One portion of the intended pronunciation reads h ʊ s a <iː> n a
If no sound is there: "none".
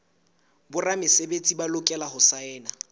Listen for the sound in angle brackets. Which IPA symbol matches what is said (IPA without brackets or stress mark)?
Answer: ɛː